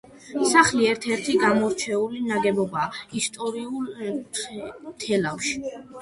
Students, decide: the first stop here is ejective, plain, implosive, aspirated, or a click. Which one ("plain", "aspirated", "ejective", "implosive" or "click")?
aspirated